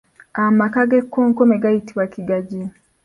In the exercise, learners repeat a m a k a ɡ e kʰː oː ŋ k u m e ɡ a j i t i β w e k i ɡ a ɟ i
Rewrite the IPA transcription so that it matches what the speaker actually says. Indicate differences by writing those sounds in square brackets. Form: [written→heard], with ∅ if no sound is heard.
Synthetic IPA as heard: a m a k a ɡ e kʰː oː ŋ k [u→o] m e ɡ a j i t i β w [e→a] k i ɡ a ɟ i